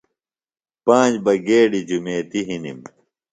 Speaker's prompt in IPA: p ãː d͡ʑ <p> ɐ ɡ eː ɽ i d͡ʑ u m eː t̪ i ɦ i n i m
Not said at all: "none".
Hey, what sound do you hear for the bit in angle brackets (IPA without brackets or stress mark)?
b